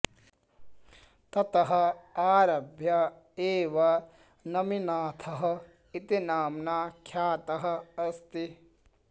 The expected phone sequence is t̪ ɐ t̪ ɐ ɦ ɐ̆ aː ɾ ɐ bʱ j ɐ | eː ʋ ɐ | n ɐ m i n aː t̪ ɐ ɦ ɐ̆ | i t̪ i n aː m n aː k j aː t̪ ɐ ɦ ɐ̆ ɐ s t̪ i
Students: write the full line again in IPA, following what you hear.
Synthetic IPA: t̪ ɐ t̪ ɐ ɦ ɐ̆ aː ɾ ɐ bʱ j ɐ | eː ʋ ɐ | n ɐ m i n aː t̪ʰ ɐ ɦ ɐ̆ | i t̪ i n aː m n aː kʰ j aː t̪ ɐ ɦ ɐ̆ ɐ s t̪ i